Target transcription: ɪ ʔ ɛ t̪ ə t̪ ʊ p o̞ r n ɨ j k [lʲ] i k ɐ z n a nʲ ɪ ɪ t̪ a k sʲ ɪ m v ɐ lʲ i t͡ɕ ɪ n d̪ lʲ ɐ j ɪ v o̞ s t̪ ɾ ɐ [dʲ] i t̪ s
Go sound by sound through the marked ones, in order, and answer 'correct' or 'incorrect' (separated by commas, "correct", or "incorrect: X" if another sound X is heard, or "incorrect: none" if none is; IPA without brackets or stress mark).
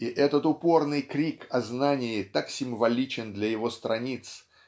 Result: incorrect: ɾʲ, incorrect: nʲ